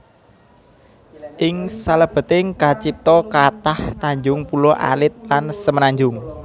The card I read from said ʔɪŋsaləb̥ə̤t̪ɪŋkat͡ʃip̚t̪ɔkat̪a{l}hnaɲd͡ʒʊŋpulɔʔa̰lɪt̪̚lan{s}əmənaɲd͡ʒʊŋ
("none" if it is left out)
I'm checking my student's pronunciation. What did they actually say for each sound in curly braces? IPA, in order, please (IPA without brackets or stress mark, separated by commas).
none, s